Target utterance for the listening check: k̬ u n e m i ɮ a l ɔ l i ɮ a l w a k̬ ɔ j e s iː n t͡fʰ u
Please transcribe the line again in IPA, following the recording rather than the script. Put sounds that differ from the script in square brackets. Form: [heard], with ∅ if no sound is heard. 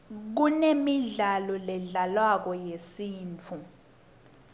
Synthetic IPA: k̬ u n e m i ɮ a l ɔ l [ɛ] ɮ a l w a k̬ ɔ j e s iː n t͡fʰ u